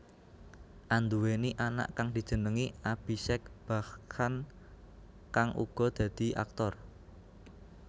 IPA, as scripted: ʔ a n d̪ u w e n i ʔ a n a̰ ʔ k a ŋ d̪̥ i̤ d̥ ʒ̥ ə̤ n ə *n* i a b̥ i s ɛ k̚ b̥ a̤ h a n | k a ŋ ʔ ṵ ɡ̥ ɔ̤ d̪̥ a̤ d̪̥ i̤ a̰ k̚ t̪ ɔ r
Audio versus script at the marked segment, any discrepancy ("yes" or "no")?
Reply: yes